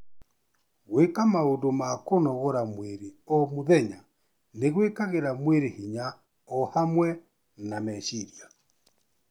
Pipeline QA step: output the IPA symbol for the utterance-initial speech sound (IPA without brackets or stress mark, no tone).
ɣ